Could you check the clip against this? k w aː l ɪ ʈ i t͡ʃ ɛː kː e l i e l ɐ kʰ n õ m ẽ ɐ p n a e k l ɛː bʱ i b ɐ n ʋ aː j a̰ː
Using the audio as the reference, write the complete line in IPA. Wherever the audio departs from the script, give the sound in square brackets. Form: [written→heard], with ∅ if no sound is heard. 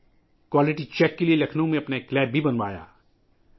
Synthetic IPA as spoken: k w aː l ɪ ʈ i t͡ʃ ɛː kː e l i e l ɐ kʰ n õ m ẽ ɐ p n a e k l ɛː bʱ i b ɐ n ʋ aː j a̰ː